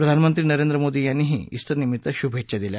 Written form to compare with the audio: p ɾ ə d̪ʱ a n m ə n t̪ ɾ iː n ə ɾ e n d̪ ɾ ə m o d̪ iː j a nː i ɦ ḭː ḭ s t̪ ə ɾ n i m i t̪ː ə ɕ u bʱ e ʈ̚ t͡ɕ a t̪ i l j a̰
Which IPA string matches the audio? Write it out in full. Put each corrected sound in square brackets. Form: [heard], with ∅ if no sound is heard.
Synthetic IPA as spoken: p ɾ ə d̪ʱ a n m ə n t̪ ɾ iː n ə ɾ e n d̪ ɾ ə m o d̪ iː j a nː i ɦ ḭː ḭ s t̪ ə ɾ n i m i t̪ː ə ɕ u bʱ e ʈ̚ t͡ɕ a [d̪] i l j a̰